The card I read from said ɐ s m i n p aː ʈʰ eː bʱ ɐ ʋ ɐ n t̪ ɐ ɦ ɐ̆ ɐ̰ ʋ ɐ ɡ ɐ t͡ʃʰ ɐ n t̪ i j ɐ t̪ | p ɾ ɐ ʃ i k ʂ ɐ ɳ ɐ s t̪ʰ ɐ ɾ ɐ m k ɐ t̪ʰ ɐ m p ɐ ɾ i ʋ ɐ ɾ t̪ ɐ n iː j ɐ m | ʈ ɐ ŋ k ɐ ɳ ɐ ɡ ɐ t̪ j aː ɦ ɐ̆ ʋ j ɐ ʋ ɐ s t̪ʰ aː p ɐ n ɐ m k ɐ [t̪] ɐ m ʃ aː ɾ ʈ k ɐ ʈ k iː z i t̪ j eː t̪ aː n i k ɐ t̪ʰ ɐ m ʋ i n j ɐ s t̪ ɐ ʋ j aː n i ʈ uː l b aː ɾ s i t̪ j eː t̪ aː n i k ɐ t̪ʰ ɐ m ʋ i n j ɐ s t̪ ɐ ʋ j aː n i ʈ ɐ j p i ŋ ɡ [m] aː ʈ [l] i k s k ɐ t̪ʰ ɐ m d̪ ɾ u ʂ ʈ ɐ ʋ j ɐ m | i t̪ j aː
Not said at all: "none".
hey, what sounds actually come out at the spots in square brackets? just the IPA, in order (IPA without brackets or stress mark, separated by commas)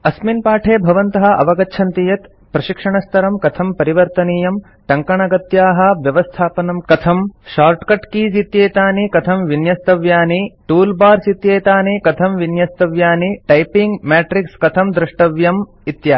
t̪ʰ, m, ɾ